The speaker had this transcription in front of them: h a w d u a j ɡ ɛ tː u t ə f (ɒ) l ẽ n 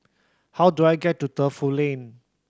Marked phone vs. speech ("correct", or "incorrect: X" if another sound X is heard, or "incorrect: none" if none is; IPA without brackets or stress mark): incorrect: u